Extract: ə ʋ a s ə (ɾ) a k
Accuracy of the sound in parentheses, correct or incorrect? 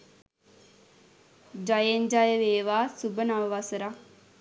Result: correct